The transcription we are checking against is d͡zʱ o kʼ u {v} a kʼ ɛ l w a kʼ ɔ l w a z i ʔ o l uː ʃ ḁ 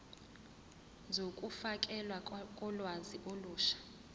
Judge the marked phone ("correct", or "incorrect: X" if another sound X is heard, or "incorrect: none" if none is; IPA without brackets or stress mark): incorrect: f